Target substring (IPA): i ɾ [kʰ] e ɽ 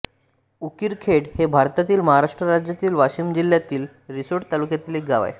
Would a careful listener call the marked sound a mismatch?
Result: no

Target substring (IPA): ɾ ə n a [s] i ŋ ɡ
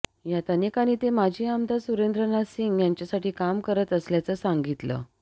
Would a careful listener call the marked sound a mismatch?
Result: no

